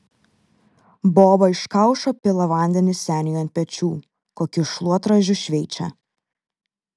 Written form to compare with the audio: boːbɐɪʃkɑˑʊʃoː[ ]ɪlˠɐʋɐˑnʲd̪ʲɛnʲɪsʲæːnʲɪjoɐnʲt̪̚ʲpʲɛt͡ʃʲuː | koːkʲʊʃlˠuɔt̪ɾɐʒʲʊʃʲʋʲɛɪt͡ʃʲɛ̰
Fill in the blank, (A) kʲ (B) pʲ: B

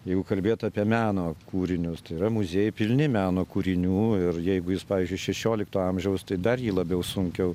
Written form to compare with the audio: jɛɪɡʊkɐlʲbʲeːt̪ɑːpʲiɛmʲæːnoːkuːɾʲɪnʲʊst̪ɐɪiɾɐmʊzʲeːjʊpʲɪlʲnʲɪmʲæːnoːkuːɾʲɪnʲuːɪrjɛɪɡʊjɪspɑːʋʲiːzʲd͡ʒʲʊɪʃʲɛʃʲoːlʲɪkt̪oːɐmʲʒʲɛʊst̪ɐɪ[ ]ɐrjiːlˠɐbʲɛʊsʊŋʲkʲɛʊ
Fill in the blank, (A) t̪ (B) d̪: B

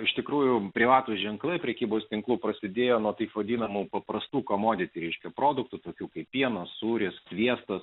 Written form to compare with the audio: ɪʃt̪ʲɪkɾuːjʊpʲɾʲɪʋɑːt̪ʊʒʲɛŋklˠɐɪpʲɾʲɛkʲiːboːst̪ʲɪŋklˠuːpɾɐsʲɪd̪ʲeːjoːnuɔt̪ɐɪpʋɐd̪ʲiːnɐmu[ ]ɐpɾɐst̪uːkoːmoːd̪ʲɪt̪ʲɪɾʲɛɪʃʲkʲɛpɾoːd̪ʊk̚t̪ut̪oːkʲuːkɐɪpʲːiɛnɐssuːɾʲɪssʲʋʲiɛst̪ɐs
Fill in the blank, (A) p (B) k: A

